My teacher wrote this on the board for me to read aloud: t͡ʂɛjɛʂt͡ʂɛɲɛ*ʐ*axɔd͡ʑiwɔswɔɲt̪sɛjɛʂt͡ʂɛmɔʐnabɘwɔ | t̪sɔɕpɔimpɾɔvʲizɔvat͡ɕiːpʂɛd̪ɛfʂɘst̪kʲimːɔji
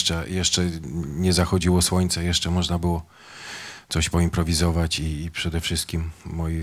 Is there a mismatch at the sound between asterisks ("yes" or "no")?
yes